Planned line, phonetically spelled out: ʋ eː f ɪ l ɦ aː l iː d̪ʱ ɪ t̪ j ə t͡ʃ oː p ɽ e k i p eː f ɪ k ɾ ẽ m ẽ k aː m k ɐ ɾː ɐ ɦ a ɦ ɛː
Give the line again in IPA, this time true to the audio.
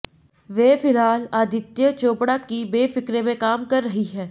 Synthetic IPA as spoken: ʋ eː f ɪ l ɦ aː l aː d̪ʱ ɪ t̪ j ə t͡ʃ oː p ɽ a k i b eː f ɪ k ɾ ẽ m ẽ k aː m k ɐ ɾː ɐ ɦ i ɦ ɛː

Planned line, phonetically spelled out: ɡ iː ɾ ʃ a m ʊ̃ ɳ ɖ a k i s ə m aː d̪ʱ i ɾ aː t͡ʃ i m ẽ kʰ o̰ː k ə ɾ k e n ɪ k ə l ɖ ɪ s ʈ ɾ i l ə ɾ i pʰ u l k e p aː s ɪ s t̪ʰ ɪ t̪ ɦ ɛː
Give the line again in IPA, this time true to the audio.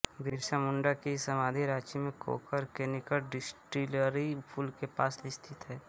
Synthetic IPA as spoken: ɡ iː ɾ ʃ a m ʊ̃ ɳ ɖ a k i s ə m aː d̪ʱ i ɾ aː t͡ʃ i m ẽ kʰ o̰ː k ə ɾ k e n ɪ k ə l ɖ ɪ s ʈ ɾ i l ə ɾ i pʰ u l k e p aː s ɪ s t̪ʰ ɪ t̪ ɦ ɛː

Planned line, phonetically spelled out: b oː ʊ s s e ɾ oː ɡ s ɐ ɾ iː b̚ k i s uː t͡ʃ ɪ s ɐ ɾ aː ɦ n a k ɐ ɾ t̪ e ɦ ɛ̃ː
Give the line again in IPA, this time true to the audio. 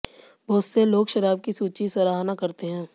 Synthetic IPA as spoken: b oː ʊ s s e l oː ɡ ʃ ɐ ɾ aː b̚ k i s uː t͡ʃ i s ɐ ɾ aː ɦ n a k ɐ ɾ t̪ e ɦ ɛ̃ː

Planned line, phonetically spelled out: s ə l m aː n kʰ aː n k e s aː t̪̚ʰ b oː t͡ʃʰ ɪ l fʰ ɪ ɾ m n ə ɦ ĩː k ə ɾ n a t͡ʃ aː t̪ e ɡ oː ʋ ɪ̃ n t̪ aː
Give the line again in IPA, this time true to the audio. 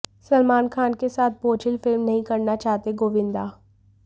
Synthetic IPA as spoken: s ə l m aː n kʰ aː n k e s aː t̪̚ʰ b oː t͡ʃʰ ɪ l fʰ ɪ l m n ə ɦ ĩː k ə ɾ n a t͡ʃ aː t̪ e ɡ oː ʋ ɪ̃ n d̪ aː

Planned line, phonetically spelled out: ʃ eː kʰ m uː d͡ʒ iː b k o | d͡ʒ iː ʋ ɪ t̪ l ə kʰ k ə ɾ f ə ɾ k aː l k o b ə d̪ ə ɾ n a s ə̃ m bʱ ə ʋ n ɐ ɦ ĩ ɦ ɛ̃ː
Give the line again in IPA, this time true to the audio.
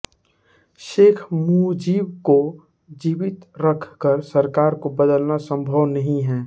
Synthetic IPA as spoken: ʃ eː kʰ m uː d͡ʒ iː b k o | d͡ʒ iː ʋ ɪ t̪ ɾ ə kʰ k ə ɾ s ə ɾ k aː ɾ k o b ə d̪ ə l n a s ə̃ m bʱ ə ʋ n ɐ ɦ ĩ ɦ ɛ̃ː

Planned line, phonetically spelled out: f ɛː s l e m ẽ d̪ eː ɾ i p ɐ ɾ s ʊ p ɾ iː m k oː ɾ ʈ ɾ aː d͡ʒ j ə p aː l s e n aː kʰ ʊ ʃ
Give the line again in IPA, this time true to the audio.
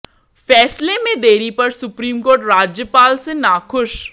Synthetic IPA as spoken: f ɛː s l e m ẽ d̪ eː ɾ i p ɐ ɾ s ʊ p ɾ iː m k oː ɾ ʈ ɾ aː d͡ʒ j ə p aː l s e n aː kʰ ʊ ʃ

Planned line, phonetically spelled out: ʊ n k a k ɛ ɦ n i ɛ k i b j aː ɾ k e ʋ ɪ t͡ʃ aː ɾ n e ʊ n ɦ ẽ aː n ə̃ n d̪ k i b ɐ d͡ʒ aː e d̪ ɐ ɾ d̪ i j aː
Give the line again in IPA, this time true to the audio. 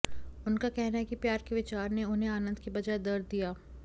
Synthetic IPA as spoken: ʊ n k a k ɛ ɦ n a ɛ k i p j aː ɾ k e ʋ ɪ t͡ʃ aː ɾ n e ʊ n ɦ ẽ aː n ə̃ n d̪ k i b ɐ d͡ʒ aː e d̪ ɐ ɾ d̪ i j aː

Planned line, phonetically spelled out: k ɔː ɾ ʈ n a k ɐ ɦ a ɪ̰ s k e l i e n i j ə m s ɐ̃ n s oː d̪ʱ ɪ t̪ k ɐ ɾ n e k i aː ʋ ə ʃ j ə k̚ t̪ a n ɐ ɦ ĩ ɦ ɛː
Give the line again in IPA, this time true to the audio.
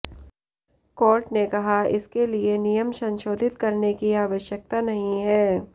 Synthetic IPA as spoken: k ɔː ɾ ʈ n e k ɐ ɦ a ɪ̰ s k e l i e n i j ə m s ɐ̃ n ʃ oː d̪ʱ ɪ t̪ k ɐ ɾ n e k i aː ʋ ə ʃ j ə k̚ t̪ a n ɐ ɦ ĩ ɦ ɛː

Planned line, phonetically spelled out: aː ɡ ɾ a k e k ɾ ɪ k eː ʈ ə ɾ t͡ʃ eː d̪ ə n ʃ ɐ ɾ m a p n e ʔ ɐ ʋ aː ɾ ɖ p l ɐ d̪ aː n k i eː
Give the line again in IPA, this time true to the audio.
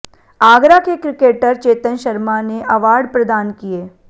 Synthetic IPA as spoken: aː ɡ ɾ a k e k ɾ ɪ k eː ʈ ə ɾ t͡ʃ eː t̪ ə n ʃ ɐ ɾ m a n e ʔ ɐ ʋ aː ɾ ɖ p ɾ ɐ d̪ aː n k i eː

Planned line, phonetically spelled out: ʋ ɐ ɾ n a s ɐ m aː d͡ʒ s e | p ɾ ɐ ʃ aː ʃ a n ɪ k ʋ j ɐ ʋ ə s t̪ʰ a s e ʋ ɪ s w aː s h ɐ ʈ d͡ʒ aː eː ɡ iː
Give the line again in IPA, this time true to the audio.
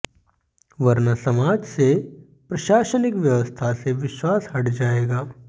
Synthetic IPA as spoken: ʋ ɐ ɾ n a s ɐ m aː d͡ʒ s e | p ɾ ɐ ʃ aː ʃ ə n ɪ k ʋ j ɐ ʋ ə s t̪ʰ a s e ʋ ɪ ʃ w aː s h ɐ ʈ d͡ʒ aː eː ɡ aː

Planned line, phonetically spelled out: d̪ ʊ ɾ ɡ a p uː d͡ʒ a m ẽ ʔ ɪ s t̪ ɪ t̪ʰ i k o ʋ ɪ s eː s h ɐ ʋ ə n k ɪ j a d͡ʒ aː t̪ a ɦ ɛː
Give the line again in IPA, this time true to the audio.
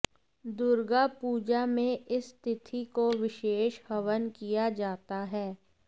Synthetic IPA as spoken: d̪ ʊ ɾ ɡ a p uː d͡ʒ a m ẽ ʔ ɪ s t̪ ɪ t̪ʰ i k o ʋ ɪ ʃ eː ʃ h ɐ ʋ ə n k i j a d͡ʒ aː t̪ a ɦ ɛː

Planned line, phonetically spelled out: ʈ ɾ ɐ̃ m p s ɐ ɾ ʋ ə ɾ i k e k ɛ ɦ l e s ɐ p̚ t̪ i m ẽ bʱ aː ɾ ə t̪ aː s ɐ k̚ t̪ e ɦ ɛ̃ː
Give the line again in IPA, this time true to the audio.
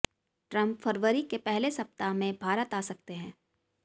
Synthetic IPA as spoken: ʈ ɾ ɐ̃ m p f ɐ ɾ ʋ ə ɾ i k e p ɛ ɦ l e s ɐ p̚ t̪ a m ẽ bʱ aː ɾ ə t̪ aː s ɐ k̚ t̪ e ɦ ɛ̃ː

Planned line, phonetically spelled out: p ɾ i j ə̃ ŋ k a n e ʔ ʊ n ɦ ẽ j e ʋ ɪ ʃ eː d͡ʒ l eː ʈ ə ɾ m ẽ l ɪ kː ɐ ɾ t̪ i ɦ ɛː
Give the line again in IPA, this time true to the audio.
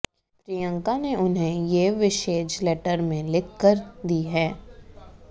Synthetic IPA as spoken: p ɾ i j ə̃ ŋ k a n e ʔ ʊ n ɦ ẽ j e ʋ ɪ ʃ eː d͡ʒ l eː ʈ ə ɾ m ẽ l ɪ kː ə ɾ d̪ i ɦ ɛː

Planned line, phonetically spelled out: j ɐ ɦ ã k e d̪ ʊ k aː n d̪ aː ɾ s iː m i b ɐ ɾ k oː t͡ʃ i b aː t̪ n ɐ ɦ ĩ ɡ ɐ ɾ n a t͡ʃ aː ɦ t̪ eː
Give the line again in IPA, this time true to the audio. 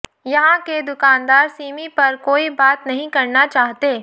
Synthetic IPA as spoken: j ɐ ɦ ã k e d̪ ʊ k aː n d̪ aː ɾ s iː m i p ɐ ɾ k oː i b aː t̪ n ɐ ɦ ĩ k ɐ ɾ n a t͡ʃ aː ɦ t̪ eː

